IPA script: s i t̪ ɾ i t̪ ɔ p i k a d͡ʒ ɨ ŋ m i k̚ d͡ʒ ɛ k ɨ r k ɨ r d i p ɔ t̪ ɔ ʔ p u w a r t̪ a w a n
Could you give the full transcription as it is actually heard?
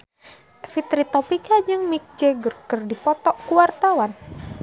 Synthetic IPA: f i t̪ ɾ i t̪ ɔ p i k a d͡ʒ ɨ ŋ m i k̚ d͡ʒ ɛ ɡ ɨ r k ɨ r d i p ɔ t̪ ɔ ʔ k u w a r t̪ a w a n

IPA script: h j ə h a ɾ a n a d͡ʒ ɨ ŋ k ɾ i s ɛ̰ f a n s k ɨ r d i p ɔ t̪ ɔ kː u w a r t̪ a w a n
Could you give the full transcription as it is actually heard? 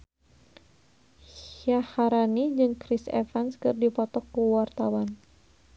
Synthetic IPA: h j a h a ɾ a n i d͡ʒ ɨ ŋ k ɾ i s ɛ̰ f a n s k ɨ r d i p ɔ t̪ ɔ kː u w a r t̪ a w a n

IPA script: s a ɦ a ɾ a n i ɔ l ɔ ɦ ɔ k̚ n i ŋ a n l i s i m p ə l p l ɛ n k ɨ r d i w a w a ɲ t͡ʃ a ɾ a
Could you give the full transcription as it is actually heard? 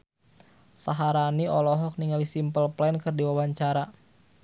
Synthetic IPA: s a ɦ a ɾ a n i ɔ l ɔ ɦ ɔ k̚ n i ŋ a l i s i m p ə l p l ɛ n k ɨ r d i w a w a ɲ t͡ʃ a ɾ a

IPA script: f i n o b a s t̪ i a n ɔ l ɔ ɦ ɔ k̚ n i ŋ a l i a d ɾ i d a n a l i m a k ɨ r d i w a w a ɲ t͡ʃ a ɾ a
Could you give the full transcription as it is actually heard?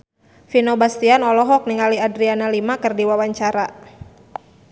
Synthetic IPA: f i n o b a s t̪ i a n ɔ l ɔ ɦ ɔ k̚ n i ŋ a l i a d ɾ i a n a l i m a k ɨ r d i w a w a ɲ t͡ʃ a ɾ a

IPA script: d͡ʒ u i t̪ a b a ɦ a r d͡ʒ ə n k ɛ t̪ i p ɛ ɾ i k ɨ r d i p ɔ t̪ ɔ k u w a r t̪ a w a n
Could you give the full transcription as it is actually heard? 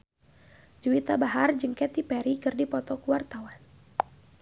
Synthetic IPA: d͡ʒ u i t̪ a b a ɦ a r d͡ʒ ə ŋ k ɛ t̪ i p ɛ ɾ i k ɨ r d i p ɔ t̪ ɔ k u w a r t̪ a w a n

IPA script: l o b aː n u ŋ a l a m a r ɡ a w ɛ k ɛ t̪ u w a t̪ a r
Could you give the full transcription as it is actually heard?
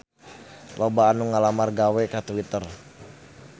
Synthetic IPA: l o b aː n u ŋ a l a m a r ɡ a w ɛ k a t̪ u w i t̪ ə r

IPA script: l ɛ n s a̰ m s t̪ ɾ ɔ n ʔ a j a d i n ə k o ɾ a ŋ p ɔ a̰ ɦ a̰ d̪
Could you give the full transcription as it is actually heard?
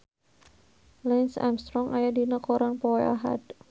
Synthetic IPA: l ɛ n s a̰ m s t̪ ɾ ɔ ŋ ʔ a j a d i n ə k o ɾ a ŋ p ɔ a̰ ɦ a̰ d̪

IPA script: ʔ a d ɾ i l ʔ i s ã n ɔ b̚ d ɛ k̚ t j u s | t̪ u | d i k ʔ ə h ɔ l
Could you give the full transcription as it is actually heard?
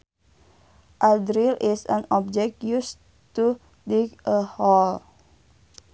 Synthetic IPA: ʔ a d ɾ i l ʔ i s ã n ɔ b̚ d͡ʒ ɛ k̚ t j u s | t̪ u | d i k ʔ ə h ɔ l

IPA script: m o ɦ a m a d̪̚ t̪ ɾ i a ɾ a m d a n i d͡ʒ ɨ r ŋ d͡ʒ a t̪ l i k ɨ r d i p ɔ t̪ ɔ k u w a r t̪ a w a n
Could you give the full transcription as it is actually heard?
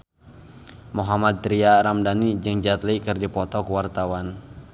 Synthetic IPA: m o ɦ a m a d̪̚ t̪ ɾ i a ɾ a m d a n i d͡ʒ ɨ ŋ d͡ʒ a t̪ l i k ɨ r d i p ɔ t̪ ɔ k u w a r t̪ a w a n

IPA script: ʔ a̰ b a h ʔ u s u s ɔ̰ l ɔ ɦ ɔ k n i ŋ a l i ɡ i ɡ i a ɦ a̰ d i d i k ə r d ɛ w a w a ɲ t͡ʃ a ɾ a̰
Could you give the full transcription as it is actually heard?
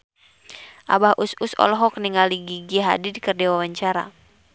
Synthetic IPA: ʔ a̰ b a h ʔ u s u s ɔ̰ l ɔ ɦ ɔ k n i ŋ a l i ɡ i ɡ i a ɦ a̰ d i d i k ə r d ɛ w a w a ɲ t͡ʃ a ɾ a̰

